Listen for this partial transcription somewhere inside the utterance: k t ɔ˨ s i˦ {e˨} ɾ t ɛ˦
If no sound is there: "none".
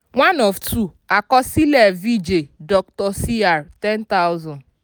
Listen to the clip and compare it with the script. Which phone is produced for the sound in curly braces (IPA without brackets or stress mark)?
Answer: a˨